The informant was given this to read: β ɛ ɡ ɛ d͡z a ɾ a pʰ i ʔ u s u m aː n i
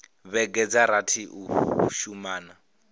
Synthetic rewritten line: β ɛ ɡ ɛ d͡z a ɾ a tʰ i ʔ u ʃ u m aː n a